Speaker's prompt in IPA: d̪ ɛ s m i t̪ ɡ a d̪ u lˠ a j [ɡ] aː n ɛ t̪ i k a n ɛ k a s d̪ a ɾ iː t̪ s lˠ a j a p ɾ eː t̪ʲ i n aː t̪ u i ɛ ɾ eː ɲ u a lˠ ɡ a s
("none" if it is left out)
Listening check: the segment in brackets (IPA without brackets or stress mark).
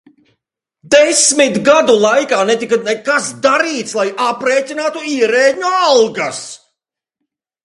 k